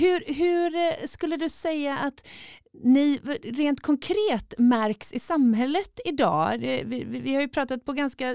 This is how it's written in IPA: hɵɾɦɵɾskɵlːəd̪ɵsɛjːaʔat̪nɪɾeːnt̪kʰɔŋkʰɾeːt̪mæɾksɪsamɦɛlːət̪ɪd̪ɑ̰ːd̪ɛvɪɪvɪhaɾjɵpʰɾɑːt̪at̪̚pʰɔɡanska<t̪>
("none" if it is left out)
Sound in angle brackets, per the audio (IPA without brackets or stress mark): none